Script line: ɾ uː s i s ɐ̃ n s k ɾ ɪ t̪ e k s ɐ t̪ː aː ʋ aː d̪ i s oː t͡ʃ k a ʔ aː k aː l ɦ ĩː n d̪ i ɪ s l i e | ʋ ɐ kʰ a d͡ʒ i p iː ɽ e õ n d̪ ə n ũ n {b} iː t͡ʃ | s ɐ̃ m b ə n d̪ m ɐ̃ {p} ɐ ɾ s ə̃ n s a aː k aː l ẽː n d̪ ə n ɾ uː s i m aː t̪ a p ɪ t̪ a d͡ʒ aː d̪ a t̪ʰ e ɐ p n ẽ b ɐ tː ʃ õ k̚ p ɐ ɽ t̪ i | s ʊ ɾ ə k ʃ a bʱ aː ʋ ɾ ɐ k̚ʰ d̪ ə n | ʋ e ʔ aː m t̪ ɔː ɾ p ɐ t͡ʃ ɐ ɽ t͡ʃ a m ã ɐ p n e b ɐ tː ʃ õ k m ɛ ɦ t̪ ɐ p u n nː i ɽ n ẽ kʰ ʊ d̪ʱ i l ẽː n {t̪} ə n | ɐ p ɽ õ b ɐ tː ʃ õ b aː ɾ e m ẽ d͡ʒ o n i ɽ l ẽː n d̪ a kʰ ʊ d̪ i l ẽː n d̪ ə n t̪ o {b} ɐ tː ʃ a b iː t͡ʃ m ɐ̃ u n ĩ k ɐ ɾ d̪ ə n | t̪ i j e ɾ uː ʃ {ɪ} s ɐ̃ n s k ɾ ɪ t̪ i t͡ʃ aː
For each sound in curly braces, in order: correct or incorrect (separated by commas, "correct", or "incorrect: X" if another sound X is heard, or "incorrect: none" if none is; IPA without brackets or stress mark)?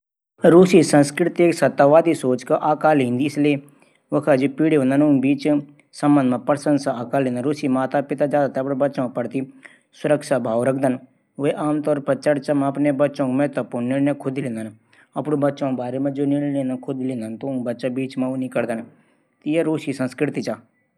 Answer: correct, correct, incorrect: d̪, correct, incorrect: i